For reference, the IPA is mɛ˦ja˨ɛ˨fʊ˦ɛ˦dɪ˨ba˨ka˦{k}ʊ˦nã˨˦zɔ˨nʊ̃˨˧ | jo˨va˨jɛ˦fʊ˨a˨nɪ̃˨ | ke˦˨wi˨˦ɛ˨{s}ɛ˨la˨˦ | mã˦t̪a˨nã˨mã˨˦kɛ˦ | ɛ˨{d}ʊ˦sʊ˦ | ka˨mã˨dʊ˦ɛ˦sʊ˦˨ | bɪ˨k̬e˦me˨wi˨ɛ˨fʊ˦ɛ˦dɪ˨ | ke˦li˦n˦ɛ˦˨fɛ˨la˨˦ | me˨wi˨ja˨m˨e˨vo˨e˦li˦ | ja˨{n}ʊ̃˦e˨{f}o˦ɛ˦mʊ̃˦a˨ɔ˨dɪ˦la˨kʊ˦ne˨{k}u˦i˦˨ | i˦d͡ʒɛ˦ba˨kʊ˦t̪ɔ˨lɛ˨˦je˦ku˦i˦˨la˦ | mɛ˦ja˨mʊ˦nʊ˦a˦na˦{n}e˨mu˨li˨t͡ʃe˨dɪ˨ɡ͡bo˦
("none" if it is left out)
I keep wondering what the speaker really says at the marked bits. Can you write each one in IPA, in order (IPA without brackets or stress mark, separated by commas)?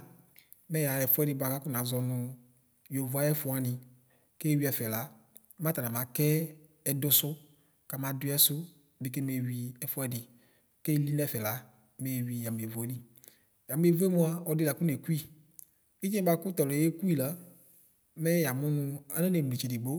k, f, d, m, v, k, n